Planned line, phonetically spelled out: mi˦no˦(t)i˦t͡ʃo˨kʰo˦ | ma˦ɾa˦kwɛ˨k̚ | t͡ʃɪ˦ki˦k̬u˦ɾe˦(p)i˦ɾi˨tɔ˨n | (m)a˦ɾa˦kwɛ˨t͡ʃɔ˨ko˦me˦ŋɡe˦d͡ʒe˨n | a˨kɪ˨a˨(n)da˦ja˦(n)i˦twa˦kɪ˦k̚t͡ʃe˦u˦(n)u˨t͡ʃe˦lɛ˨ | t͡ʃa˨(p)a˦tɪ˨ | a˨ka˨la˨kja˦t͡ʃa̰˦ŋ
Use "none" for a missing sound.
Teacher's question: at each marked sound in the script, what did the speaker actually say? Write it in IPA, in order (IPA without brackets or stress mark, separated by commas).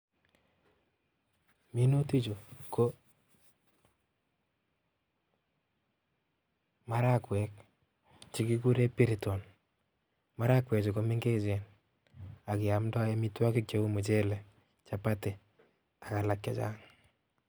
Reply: t, p, m, m, m, m, p